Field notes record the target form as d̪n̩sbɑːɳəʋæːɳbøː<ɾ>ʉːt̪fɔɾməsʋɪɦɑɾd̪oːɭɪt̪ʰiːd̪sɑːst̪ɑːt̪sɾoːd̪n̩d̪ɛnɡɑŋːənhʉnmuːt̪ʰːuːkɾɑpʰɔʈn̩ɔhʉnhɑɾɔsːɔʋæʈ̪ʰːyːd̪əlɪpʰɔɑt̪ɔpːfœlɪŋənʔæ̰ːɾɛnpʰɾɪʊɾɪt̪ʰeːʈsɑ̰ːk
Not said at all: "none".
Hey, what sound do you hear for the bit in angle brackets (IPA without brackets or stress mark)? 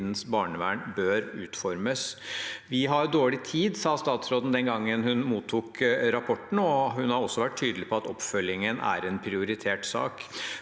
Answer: ɾ